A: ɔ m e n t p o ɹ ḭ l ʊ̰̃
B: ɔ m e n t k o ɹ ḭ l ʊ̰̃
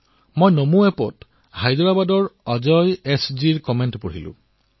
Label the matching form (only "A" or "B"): A